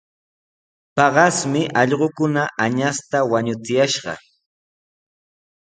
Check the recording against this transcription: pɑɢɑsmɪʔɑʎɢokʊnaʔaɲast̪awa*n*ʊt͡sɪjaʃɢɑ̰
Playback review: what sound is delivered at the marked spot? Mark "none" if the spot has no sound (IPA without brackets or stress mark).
ɲ